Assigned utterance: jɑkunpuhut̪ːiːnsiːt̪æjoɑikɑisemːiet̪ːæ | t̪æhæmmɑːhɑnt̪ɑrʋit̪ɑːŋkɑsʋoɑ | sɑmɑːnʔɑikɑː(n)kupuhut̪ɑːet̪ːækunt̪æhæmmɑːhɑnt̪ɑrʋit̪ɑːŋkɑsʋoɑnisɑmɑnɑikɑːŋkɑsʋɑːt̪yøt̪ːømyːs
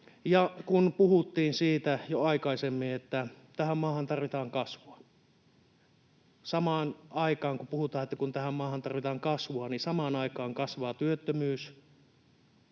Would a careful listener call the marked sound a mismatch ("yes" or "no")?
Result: yes